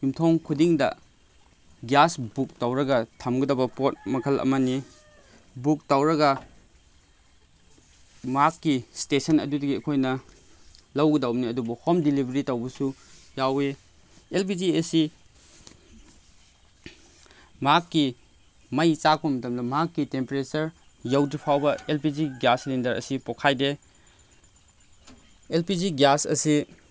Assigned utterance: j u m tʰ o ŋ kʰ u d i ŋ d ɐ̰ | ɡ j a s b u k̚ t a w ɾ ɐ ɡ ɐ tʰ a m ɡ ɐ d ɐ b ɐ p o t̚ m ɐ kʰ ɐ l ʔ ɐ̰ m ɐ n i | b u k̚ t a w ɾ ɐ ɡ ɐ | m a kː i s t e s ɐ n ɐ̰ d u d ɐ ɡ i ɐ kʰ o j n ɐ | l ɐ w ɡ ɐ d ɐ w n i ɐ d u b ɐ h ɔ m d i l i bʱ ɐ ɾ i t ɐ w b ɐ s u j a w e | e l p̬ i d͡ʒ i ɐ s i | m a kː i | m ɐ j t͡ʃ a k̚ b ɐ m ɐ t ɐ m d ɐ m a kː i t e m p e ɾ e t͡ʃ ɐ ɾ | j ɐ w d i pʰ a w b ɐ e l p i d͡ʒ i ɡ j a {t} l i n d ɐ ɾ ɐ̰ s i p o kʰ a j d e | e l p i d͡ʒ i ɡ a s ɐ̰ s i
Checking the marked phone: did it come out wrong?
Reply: yes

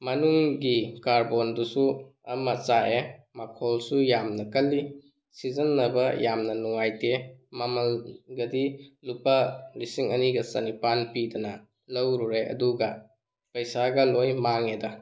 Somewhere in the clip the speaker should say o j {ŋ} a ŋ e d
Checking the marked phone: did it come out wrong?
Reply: yes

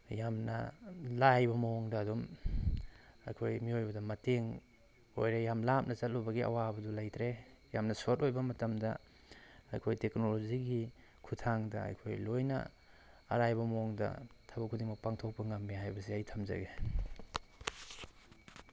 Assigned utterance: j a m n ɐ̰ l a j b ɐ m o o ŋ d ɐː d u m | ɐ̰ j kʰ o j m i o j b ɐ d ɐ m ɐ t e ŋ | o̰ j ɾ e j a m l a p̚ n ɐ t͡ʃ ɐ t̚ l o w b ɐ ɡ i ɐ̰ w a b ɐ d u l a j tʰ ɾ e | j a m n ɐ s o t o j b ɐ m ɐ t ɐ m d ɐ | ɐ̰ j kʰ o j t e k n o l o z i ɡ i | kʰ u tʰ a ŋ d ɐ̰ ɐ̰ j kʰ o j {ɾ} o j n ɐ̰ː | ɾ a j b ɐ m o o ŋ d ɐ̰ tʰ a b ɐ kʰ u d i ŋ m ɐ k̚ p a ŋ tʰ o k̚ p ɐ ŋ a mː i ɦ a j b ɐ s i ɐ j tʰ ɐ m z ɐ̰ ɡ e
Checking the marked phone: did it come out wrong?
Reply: yes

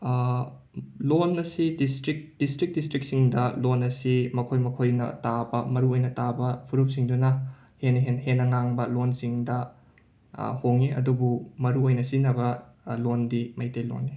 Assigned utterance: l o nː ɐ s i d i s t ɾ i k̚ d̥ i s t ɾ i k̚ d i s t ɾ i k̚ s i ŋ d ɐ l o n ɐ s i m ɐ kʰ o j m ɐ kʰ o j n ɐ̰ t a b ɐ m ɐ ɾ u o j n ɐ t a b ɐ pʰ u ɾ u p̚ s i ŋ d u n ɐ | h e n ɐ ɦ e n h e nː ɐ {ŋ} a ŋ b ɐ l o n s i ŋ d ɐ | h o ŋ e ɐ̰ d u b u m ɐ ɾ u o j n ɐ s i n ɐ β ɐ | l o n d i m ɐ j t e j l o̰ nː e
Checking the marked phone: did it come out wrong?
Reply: no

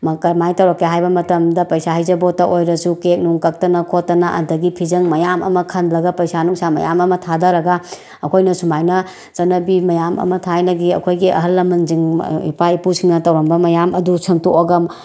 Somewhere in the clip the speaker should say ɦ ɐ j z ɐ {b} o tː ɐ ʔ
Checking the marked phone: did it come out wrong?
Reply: no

